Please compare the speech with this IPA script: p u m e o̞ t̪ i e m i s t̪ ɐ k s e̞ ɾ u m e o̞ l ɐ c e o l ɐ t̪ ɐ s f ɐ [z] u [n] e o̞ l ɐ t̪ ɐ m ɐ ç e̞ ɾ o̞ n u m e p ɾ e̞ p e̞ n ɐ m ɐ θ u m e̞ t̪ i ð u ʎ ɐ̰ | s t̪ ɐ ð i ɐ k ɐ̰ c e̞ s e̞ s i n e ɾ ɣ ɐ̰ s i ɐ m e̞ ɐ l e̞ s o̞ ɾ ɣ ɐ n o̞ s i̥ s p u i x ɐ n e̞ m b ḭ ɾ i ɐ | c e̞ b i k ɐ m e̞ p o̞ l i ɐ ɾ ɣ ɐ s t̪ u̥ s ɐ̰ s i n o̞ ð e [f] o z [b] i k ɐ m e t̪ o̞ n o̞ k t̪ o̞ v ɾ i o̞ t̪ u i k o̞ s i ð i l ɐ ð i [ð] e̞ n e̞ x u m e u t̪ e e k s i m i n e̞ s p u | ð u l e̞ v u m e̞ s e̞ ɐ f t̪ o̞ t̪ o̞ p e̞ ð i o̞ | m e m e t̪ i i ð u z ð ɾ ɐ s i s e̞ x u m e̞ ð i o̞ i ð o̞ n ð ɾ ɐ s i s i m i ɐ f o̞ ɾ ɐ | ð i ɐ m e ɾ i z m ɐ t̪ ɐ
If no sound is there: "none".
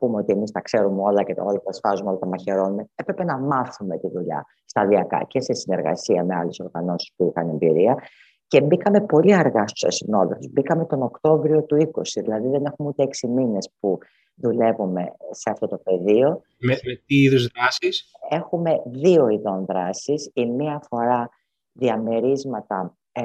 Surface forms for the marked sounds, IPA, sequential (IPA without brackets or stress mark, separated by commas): z, m, f, b, ð